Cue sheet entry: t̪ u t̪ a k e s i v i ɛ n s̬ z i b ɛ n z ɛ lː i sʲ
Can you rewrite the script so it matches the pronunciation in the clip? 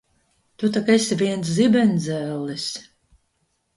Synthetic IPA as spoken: t̪ u t̪ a k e s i v i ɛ n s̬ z i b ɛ n z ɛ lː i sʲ